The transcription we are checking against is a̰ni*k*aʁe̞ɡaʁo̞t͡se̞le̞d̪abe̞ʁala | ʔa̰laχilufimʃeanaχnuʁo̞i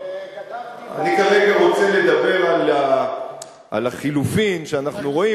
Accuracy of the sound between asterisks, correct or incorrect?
correct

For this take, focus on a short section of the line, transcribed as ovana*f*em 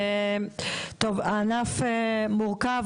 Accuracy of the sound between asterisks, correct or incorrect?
correct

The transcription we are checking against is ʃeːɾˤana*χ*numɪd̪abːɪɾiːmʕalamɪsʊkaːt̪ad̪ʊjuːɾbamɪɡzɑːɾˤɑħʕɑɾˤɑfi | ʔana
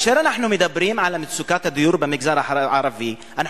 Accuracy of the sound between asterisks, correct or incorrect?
incorrect: ħ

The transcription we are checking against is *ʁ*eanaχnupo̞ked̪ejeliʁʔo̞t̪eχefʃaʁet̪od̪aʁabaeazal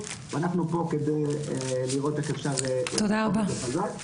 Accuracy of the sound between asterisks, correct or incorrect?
incorrect: v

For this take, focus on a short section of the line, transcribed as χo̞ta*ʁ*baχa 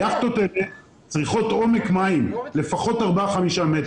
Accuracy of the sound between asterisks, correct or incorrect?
correct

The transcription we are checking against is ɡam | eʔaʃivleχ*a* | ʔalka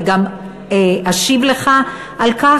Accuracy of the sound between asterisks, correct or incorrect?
correct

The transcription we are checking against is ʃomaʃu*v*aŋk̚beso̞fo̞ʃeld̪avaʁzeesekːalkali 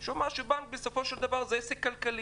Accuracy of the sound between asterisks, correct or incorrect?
incorrect: b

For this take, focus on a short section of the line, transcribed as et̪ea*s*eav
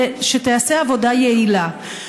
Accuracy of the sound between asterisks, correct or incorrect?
correct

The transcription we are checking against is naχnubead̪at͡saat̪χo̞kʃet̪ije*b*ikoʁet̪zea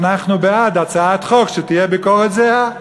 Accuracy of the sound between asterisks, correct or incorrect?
correct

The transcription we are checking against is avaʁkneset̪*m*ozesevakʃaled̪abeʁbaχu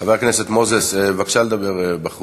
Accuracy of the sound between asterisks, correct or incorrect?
correct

